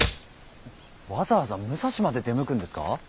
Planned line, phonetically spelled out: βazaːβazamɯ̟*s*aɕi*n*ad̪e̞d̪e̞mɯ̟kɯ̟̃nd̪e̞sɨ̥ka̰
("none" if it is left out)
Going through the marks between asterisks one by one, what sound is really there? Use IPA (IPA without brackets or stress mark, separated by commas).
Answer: s, m